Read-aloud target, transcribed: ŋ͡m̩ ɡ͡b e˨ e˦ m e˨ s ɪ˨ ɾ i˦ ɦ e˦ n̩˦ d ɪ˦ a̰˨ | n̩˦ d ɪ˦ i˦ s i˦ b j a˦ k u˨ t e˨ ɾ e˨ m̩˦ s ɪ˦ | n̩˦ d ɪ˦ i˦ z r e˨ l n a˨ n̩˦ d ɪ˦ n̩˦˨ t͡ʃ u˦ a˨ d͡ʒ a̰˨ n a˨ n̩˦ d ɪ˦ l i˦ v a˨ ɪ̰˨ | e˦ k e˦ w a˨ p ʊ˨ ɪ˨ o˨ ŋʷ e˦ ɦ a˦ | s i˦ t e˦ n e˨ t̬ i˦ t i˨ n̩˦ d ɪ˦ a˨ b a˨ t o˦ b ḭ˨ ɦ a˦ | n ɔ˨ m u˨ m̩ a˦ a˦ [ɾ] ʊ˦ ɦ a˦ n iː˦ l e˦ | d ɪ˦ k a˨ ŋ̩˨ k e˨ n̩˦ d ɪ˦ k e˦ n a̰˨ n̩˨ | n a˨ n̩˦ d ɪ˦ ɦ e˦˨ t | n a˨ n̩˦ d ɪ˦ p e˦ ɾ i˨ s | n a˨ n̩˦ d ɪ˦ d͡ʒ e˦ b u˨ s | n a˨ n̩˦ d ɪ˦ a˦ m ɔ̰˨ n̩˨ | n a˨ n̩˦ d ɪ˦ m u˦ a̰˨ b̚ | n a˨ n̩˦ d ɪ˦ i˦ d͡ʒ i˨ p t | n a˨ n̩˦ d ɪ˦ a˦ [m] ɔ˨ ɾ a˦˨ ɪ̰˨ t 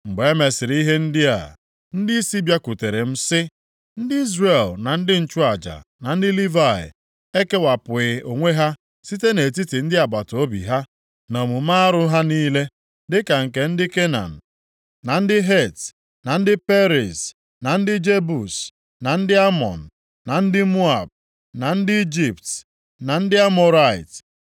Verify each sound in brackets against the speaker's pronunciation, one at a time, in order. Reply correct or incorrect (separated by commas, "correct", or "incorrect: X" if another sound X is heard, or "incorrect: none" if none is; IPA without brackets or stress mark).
correct, correct